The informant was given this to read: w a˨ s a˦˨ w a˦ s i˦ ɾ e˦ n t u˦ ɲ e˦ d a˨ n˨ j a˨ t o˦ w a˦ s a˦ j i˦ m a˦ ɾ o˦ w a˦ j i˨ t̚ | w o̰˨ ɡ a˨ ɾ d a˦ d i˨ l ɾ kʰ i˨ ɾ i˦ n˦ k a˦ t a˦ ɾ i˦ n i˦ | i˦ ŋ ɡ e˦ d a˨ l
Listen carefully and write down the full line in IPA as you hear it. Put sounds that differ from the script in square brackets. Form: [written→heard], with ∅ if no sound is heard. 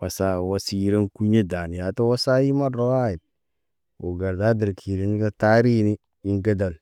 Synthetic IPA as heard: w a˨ s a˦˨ w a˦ s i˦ ɾ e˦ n [t→k] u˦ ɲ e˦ d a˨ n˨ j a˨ t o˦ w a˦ s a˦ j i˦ m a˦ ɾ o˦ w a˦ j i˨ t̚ | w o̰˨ ɡ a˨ ɾ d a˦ d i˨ [l→∅] ɾ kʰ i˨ ɾ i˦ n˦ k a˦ t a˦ ɾ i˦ n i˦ | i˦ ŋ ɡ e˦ d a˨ l